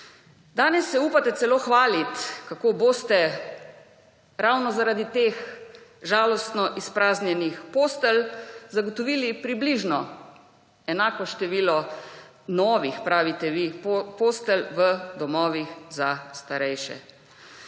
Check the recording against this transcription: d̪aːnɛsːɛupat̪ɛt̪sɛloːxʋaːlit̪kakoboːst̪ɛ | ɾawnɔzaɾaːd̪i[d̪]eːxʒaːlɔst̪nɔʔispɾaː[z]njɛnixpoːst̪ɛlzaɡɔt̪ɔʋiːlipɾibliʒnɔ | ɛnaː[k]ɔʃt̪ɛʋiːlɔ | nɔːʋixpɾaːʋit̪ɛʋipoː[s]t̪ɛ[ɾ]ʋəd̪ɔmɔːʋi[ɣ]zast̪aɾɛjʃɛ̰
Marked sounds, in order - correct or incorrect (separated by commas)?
incorrect, correct, correct, correct, incorrect, incorrect